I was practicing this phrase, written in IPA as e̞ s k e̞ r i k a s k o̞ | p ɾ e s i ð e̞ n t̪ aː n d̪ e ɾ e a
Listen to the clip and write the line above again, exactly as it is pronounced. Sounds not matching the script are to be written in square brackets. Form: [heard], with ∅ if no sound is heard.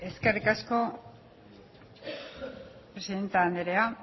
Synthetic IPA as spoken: e̞ s k e̞ r i k a s k o̞ | p ɾ e s i ð e̞ n t̪ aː n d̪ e ɾ e a